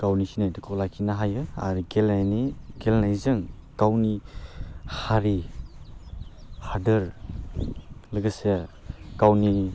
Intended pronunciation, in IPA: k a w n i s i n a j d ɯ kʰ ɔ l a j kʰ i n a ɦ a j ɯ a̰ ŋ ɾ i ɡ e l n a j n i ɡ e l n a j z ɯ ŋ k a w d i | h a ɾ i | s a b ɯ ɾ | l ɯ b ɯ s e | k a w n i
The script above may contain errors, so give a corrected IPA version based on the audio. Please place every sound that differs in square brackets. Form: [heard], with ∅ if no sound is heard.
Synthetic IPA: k a w n i s i n a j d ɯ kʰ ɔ l a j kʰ i n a ɦ a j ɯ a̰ [∅] ɾ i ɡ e l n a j n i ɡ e l n a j z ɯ ŋ k a w [n] i | h a ɾ i | [h] a [d] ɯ ɾ | l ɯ [ɡ] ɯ s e | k a w n i